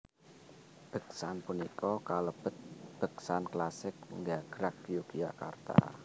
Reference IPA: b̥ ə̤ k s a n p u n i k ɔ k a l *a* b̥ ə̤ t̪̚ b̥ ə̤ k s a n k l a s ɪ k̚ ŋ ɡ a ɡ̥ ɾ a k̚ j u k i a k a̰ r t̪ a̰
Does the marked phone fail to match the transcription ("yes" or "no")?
yes